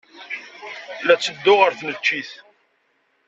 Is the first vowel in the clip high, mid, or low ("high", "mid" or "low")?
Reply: low